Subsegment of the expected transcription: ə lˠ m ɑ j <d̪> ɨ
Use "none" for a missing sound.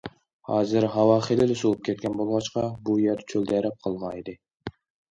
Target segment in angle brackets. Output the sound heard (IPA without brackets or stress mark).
d̪